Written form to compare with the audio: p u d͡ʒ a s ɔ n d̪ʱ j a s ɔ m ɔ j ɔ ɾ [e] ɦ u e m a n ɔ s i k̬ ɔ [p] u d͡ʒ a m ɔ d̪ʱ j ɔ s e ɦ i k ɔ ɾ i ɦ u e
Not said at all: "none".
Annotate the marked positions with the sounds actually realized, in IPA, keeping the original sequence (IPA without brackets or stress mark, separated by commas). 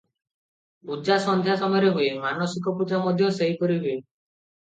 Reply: e, p